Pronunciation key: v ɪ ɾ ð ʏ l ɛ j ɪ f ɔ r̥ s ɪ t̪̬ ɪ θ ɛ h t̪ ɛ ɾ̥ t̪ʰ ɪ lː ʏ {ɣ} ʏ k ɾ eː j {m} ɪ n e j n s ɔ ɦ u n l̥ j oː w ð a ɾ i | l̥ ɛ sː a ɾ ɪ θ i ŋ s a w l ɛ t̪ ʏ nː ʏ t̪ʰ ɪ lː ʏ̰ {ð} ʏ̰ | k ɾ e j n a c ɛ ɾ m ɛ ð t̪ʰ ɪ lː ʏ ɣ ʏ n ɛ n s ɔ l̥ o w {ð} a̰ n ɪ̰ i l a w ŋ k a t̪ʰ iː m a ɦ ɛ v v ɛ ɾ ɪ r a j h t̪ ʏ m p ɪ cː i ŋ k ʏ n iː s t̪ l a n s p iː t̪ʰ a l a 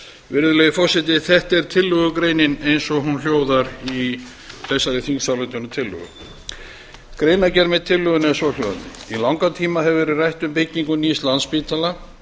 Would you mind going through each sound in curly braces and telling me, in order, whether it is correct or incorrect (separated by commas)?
correct, incorrect, incorrect, correct